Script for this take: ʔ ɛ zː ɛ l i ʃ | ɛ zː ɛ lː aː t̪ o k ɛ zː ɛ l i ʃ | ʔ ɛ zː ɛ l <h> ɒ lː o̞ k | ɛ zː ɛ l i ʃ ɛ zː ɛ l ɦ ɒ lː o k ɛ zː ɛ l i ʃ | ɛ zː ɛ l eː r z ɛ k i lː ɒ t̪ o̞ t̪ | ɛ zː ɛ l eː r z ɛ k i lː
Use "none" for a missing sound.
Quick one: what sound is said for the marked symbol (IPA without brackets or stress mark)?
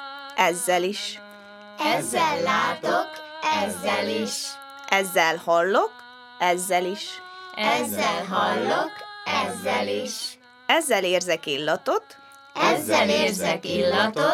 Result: h